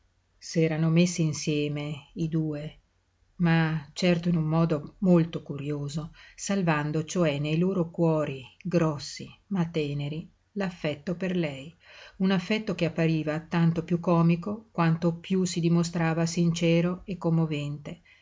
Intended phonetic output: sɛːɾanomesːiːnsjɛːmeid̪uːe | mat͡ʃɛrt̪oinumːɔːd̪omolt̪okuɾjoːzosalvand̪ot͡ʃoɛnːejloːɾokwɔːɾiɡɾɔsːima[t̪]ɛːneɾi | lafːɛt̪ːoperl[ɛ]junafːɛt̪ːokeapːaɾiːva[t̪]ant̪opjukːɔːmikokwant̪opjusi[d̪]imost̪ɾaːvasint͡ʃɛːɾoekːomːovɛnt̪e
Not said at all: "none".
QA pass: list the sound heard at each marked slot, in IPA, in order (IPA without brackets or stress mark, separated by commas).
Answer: t̪, ɛ, t̪, d̪